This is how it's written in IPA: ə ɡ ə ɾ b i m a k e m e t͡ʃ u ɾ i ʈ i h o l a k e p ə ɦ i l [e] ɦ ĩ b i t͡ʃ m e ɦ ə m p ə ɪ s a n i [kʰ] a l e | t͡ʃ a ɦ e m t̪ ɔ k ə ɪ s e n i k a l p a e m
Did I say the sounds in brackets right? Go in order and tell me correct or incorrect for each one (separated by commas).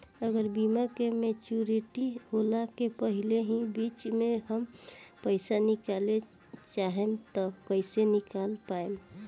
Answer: correct, incorrect